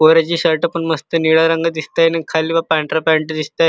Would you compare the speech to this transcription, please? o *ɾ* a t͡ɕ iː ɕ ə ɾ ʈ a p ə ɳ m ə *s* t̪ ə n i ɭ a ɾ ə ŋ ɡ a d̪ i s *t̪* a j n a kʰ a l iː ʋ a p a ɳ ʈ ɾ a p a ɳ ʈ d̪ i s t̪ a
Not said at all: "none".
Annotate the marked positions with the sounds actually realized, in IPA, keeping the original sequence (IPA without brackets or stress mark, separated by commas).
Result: ɾ, s, t̪